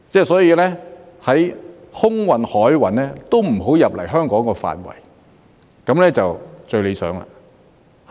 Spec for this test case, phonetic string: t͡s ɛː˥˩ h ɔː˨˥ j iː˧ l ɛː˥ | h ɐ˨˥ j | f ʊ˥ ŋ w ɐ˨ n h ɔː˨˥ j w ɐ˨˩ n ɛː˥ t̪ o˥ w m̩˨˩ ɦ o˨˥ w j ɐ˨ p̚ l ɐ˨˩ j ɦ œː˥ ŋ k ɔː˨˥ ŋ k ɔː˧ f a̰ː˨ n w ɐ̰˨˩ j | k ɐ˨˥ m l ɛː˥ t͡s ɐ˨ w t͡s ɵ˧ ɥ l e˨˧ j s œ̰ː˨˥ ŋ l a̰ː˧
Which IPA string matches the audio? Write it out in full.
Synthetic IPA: t͡s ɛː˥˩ s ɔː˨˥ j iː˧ l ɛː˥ | h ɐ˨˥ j | h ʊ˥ ŋ w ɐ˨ n h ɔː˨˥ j w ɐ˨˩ n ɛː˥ t̪ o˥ w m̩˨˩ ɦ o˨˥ w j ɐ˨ p̚ l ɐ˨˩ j ɦ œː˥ ŋ k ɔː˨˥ ŋ k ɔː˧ f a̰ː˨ n w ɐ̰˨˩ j | k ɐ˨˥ m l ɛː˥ t͡s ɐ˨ w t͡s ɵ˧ ɥ l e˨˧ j s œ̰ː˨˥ ŋ l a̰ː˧